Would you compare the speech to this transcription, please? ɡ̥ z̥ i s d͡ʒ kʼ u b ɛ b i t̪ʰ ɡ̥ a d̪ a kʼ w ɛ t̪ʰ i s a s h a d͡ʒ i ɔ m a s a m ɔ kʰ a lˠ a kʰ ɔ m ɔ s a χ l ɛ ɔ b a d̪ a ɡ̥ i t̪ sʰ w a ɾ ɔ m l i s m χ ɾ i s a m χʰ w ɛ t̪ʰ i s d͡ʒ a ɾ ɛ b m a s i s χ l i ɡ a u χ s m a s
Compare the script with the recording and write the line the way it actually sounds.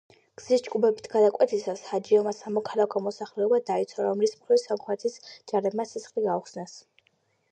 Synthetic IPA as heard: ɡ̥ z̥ i s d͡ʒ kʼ u b ɛ b i t̪ʰ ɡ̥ a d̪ a kʼ w ɛ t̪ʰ i s a s h a d͡ʒ i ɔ m a s a m ɔ kʰ a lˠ a kʰ ɔ m ɔ s a χ l ɛ ɔ b a d̪ a i t̪ sʰ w a ɾ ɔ m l i s m χ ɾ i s a m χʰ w ɛ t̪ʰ i s d͡ʒ a ɾ ɛ b m a s i s χ l i ɡ a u χ s n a s

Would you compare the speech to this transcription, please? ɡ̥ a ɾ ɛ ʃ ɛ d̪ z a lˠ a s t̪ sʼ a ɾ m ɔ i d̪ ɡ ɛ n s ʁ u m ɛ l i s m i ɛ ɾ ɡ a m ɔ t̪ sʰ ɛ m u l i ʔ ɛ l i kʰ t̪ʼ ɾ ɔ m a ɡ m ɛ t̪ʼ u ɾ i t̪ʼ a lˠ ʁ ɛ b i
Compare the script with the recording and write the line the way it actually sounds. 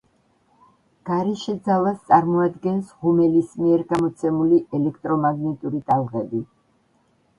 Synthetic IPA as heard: ɡ̥ a ɾ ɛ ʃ ɛ d̪ z a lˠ a s t̪ sʼ a ɾ m ɔ a d̪ ɡ ɛ n s ʁ u m ɛ l i s m i ɛ ɾ ɡ a m ɔ t̪ sʰ ɛ m u l i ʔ ɛ l ɛ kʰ t̪ʼ ɾ ɔ m a ɡ n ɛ t̪ʼ u ɾ i t̪ʼ a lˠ ʁ ɛ b i

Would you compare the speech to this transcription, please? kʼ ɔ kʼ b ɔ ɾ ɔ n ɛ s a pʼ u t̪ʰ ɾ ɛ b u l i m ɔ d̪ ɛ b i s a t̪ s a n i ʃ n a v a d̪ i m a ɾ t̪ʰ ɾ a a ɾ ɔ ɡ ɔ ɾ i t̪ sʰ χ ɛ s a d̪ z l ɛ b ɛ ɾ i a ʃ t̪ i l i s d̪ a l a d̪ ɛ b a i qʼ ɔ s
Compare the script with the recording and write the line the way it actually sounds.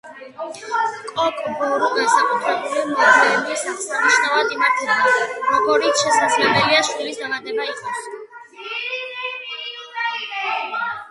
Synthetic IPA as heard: kʼ ɔ kʼ b ɔ ɾ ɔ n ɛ s a kʼ u t̪ʰ ɾ ɛ b u l i m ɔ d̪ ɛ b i s a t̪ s a n i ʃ n a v a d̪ i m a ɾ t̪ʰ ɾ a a ɾ ɔ ɡ ɔ ɾ i t̪ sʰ ʃ ɛ s a d̪ z l ɛ b ɛ l i a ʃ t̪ i l i s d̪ a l a d̪ ɛ b a i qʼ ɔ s

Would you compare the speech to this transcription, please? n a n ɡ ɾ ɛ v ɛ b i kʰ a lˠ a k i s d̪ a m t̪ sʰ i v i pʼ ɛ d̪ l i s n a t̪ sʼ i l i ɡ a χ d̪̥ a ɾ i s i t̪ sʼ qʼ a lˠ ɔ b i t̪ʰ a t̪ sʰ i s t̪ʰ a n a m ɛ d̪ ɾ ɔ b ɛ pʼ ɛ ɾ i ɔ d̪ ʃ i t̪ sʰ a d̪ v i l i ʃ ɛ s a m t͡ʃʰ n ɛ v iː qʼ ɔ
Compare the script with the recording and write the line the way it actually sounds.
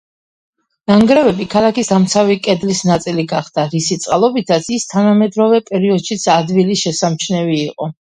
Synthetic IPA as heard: n a ŋ ɡ ɾ ɛ v ɛ b i kʰ a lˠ a k i s d̪ a m t̪ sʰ a v i kʼ ɛ d̪ l i s n a t̪ sʼ i l i ɡ a χ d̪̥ a ɾ i s i t̪ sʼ qʼ a lˠ ɔ b i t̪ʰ a t̪ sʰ i s t̪ʰ a n a m ɛ d̪ ɾ ɔ v ɛ pʼ ɛ ɾ i ɔ d̪ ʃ i t̪ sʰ a d̪ v i l i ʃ ɛ s a m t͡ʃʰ n ɛ v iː qʼ ɔ

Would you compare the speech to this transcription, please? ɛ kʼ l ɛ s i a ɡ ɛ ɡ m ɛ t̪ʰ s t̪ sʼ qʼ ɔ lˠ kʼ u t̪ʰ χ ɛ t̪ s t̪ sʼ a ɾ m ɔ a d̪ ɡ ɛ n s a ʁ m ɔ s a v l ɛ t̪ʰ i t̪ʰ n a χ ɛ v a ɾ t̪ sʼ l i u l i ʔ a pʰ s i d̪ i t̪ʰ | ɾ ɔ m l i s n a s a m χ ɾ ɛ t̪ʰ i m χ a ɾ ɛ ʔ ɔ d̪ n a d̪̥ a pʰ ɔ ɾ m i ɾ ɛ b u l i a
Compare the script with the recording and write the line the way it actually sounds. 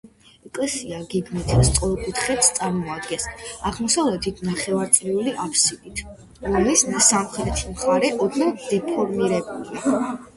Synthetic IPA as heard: ɛ kʼ l ɛ s i a ɡ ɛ ɡ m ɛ t̪ʰ s t̪ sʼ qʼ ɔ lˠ kʼ u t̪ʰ χ ɛ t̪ s t̪ sʼ a ɾ m ɔ a d̪ ɡ ɛ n s a ʁ m ɔ s a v l ɛ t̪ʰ i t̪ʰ n a χ ɛ v a ɾ t̪ sʼ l i u l i ʔ a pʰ s i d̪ i t̪ʰ | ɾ ɔ m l i s n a s a m χ ɾ ɛ t̪ʰ i m χ a ɾ ɛ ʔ ɔ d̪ n a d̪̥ ɛ pʰ ɔ ɾ m i ɾ ɛ b u l i a

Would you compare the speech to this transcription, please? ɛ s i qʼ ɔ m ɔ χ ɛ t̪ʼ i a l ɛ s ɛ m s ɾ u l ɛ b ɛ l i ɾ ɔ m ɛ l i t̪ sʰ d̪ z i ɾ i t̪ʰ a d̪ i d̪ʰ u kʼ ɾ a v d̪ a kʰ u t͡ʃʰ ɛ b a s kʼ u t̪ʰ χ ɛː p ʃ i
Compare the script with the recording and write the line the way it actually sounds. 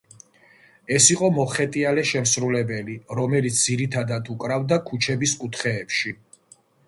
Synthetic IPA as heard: ɛ s i qʼ ɔ m ɔ χ ɛ t̪ʼ i a l ɛ ʃ ɛ m s ɾ u l ɛ b ɛ l i ɾ ɔ m ɛ l i t̪ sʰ d̪ z i ɾ i t̪ʰ a d̪ a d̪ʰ u kʼ ɾ a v d̪ a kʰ u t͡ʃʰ ɛ b i s kʼ u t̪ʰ χ ɛː p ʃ i

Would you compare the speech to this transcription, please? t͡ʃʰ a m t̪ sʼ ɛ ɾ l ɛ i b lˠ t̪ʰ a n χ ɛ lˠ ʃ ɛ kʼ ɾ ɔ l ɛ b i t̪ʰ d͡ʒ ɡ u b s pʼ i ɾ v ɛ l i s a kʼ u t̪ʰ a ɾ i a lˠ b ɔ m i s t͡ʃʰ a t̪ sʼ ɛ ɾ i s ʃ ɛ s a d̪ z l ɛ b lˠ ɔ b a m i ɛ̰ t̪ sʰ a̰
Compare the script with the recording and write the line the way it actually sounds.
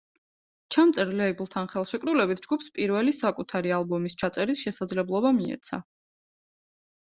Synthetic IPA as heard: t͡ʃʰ a m t̪ sʼ ɛ ɾ l ɛ i b lˠ t̪ʰ a n χ ɛ lˠ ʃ ɛ kʼ ɾ u l ɛ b i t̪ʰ d͡ʒ ɡ u p s pʼ i ɾ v ɛ l i s a kʼ u t̪ʰ a ɾ i a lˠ b ɔ m i s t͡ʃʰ a t̪ sʼ ɛ ɾ i s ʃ ɛ s a d̪ z l ɛ b lˠ ɔ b a m i ɛ̰ t̪ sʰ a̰

